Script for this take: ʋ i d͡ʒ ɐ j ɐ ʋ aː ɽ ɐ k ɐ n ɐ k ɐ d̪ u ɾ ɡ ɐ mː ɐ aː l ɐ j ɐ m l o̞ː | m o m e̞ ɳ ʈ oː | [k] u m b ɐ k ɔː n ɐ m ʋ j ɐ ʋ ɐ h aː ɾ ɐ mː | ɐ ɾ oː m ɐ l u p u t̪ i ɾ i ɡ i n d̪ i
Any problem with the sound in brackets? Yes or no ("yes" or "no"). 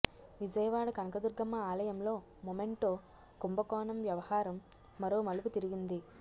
no